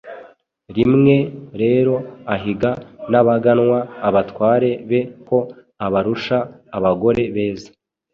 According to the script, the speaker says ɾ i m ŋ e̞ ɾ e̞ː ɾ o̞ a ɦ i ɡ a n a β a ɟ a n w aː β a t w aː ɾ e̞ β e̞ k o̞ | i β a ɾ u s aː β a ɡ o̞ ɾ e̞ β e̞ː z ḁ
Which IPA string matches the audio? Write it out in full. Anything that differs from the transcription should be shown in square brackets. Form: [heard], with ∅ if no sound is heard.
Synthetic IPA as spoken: ɾ i m ŋ e̞ ɾ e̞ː ɾ o̞ a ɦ i ɡ a n a β a [ɡ] a n w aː β a t w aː ɾ e̞ β e̞ k o̞ | [a] β a ɾ u [ʃ] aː β a ɡ o̞ ɾ e̞ β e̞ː z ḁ